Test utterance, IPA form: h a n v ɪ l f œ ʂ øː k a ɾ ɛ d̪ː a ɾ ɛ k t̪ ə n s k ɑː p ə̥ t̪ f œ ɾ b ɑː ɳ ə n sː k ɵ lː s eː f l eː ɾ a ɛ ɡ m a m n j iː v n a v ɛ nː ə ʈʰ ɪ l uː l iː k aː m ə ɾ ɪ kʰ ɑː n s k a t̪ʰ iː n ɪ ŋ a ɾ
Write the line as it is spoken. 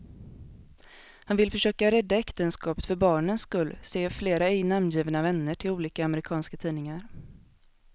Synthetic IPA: h a n v ɪ l f œ ʂ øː k a ɾ ɛ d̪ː a ɛ k t̪ ə n s k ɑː p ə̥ t̪ f œ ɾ b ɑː ɳ ə n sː k ɵ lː s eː f l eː ɾ a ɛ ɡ n a m n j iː v n a v ɛ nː ə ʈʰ ɪ l uː l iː k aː m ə ɾ ɪ kʰ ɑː n s k a t̪ʰ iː n ɪ ŋ a ɾ